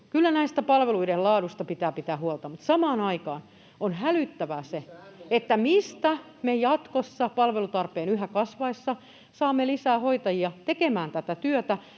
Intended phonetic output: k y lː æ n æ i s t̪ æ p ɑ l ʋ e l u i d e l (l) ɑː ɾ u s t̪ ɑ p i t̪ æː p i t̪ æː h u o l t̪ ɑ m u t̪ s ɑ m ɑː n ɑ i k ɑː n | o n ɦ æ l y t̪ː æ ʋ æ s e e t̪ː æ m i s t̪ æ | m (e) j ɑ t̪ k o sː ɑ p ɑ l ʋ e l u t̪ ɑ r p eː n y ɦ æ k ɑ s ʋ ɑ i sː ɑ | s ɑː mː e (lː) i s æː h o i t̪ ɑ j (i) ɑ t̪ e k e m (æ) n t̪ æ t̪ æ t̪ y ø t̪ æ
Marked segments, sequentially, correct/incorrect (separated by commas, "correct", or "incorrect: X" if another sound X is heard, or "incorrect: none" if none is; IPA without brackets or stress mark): correct, correct, incorrect: l, correct, incorrect: æː